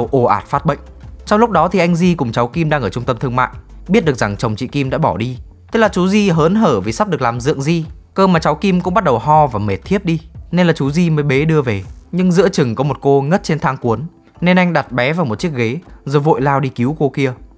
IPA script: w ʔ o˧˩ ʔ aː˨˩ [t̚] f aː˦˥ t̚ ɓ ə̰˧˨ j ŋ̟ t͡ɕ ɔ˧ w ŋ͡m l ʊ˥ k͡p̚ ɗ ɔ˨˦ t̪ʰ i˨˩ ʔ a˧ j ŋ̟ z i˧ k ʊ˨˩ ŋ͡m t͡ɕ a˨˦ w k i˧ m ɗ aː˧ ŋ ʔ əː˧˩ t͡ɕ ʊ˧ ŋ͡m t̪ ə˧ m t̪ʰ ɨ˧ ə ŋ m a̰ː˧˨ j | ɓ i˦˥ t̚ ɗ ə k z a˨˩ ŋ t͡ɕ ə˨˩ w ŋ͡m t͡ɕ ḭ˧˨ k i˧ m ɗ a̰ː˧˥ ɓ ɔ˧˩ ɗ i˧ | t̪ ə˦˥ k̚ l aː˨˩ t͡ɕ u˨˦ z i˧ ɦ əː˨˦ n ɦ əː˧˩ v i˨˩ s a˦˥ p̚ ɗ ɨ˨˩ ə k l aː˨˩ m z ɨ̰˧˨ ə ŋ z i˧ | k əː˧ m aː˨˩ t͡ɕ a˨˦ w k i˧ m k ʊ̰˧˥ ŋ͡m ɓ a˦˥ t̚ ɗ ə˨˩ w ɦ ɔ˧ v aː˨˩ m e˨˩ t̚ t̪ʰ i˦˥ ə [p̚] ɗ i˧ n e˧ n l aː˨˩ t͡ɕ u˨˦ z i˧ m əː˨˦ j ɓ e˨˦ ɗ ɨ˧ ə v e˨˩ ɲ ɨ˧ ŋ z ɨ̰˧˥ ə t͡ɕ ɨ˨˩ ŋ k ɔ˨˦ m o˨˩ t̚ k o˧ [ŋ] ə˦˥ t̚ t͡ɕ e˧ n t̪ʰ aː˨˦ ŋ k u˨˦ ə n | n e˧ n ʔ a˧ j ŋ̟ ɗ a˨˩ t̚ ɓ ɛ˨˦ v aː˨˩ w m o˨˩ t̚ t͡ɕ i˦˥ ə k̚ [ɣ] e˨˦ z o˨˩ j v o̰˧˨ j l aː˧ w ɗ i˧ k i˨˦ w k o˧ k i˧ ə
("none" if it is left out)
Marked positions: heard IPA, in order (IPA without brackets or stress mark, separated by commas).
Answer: t̚, p̚, ŋ, ɣ